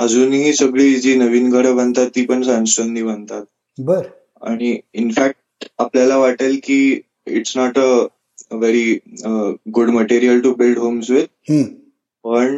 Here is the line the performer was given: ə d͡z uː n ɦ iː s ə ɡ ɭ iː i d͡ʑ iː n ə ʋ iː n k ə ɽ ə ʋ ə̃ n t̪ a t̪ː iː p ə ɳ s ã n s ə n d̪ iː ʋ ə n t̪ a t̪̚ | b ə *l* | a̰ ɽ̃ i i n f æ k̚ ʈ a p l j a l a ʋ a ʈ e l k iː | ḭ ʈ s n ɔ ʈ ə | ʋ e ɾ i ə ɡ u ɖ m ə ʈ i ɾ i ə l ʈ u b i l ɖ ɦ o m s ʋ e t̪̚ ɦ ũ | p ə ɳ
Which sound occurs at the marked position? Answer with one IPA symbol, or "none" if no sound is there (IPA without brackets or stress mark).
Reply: ɾ